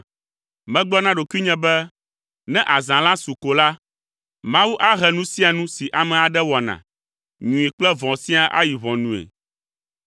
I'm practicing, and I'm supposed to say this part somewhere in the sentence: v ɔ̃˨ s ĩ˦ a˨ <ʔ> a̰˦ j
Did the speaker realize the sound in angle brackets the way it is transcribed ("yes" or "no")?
yes